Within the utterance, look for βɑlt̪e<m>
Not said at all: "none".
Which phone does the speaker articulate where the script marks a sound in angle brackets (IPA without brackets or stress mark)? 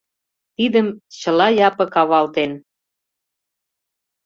n